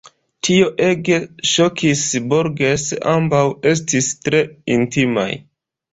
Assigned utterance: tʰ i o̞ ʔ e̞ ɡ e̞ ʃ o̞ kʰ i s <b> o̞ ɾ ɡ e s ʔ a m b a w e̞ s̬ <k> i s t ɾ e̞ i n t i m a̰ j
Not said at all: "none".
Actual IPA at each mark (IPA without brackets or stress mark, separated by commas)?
b, t